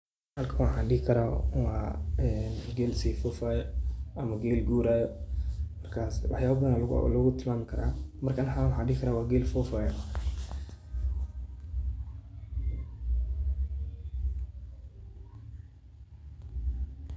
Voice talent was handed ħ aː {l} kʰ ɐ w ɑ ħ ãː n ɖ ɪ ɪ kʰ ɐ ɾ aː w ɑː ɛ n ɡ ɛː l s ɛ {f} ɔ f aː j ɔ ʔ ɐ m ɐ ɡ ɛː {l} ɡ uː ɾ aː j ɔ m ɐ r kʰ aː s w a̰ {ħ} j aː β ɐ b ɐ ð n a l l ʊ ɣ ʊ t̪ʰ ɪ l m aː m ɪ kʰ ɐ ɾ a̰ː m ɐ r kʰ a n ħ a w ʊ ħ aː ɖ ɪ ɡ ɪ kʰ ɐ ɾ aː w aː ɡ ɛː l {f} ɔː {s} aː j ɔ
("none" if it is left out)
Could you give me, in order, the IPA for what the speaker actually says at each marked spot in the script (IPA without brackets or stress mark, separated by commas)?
l, f, l, ħ, f, f